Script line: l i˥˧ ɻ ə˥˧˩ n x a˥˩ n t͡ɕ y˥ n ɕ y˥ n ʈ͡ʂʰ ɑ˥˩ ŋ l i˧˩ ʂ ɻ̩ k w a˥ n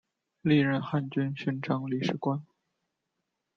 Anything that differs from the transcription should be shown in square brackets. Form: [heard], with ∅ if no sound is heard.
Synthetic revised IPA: l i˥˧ ɻ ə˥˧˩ n x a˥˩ n t͡ɕ y˥ n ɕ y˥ n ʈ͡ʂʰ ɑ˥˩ ŋ l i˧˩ ʂ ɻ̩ k w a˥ n